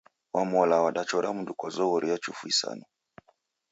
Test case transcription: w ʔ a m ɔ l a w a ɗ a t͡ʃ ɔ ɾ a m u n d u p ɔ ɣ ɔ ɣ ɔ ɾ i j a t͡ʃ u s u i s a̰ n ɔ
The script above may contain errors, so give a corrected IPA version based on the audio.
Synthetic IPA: w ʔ a m ɔ l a w a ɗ a t͡ʃ ɔ ɾ a m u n d u k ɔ z ɔ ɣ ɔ ɾ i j a t͡ʃ u f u i s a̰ n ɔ